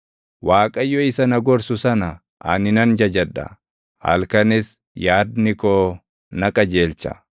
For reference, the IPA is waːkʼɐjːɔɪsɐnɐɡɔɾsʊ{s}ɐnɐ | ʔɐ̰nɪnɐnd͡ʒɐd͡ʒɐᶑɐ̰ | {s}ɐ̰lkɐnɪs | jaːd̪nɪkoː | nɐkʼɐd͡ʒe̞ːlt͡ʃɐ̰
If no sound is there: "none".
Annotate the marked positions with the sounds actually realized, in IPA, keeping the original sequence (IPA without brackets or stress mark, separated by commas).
s, h